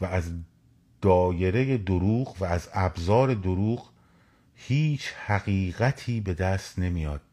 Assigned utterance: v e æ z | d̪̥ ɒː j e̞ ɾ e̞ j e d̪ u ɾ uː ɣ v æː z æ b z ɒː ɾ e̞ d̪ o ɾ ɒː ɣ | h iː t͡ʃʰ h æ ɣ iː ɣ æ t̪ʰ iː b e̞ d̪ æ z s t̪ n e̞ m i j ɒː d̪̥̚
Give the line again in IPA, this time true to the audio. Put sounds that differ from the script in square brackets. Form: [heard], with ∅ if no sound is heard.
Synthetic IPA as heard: v [æ] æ z | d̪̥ ɒː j e̞ ɾ e̞ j e d̪ [o] ɾ uː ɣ v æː z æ b z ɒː ɾ e̞ d̪ o ɾ [uː] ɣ | h iː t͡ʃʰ h æ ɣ iː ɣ æ t̪ʰ iː b e̞ d̪ æ [∅] s t̪ n e̞ m i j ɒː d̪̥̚